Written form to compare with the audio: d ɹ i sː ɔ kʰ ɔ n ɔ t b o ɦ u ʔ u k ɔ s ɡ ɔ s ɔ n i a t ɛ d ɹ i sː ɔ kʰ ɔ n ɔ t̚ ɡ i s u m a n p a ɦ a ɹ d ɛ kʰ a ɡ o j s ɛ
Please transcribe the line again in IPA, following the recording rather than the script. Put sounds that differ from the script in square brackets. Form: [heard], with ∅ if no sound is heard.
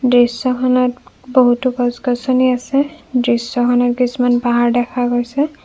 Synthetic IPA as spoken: d ɹ i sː ɔ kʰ ɔ n ɔ t b o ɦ u [t] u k ɔ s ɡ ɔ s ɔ n i a [s] ɛ d ɹ i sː ɔ kʰ ɔ n ɔ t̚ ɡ i s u m a n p a ɦ a ɹ d ɛ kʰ a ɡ o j s ɛ

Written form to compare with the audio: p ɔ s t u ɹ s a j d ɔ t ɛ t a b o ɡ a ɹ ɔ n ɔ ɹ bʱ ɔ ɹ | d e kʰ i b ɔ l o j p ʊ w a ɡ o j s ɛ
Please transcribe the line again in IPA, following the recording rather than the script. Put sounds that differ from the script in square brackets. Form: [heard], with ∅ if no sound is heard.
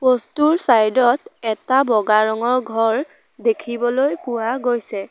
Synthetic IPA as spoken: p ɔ s t u ɹ s a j d ɔ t ɛ t a b [ɔ] ɡ a ɹ ɔ [ŋ] ɔ ɹ [ɡʱ] ɔ ɹ | d e kʰ i b ɔ l o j p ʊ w a ɡ o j s ɛ

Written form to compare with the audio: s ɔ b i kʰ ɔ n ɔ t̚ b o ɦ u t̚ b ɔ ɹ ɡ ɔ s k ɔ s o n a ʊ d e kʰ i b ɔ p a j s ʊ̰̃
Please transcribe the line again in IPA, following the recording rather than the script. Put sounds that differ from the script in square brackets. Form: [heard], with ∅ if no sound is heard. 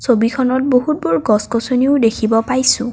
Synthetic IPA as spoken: s [o] b i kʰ ɔ n ɔ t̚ b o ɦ u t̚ b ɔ ɹ ɡ ɔ s k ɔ s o n [i] ʊ d e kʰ i b ɔ p a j s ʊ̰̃

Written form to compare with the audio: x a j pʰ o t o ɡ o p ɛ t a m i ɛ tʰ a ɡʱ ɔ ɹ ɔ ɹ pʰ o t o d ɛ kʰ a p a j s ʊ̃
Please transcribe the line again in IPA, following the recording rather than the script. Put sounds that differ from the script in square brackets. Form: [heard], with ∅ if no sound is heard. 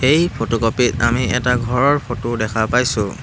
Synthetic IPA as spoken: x [e] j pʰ o t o [k] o p [i] t a m i ɛ [t] a ɡʱ ɔ ɹ ɔ ɹ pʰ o t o d ɛ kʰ a p a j s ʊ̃

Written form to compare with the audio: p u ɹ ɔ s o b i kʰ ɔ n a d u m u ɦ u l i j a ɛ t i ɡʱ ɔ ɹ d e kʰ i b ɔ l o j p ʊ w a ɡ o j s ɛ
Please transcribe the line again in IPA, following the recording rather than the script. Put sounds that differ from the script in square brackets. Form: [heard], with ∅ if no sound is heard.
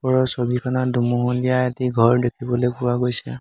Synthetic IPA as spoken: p [ɔ] ɹ ɔ s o b i kʰ ɔ n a d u m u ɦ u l i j a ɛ t i ɡʱ ɔ ɹ d e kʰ i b ɔ l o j p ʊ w a ɡ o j s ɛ

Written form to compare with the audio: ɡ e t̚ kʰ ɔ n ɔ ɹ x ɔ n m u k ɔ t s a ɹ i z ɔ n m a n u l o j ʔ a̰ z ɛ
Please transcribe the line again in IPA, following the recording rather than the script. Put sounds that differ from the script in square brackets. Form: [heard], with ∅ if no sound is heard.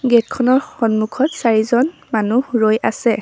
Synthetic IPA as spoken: ɡ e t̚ kʰ ɔ n ɔ ɹ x ɔ n m u [kʰ] ɔ t s a ɹ i z ɔ n m a n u [ɹ] o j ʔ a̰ [s] ɛ

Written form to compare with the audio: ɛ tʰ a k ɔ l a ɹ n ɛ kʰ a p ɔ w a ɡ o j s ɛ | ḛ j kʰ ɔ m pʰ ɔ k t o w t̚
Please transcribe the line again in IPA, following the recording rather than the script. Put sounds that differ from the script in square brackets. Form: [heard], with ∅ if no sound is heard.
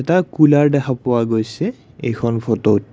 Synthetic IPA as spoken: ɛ [t] a k [u] l a ɹ [d] ɛ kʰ a p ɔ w a ɡ o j s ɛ | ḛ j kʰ ɔ [n] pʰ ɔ [∅] t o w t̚

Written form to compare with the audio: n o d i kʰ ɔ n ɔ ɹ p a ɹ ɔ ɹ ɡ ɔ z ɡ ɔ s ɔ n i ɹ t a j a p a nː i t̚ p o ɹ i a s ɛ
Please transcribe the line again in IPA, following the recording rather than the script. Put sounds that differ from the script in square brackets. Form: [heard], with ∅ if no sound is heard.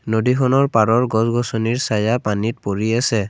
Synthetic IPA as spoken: n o d i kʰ ɔ n ɔ ɹ p a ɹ ɔ ɹ ɡ ɔ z ɡ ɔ s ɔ n i ɹ [s] a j a p a [n] i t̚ p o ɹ i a s ɛ

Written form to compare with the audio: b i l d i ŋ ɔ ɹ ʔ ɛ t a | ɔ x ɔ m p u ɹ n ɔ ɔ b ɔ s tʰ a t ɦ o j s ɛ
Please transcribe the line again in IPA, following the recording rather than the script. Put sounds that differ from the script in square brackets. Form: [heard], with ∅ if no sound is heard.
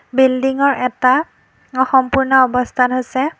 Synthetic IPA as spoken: b i l d i ŋ ɔ ɹ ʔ ɛ t a | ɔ x ɔ m p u ɹ n ɔ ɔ b ɔ s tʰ a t ɦ o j s ɛ

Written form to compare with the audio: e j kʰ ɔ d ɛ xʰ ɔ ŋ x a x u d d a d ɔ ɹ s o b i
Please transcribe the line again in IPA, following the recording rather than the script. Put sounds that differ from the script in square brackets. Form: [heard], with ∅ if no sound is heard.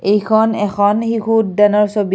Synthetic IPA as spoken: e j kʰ ɔ [n] ɛ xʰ ɔ [n] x [i] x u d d a [n] ɔ ɹ s o b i

